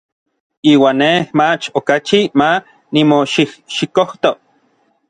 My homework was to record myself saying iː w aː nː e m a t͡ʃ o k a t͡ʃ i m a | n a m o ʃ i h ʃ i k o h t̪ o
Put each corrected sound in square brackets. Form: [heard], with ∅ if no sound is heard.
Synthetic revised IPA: iː w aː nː e m a t͡ʃ o k a t͡ʃ i m a | n [i] m o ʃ i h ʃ i k o h t̪ o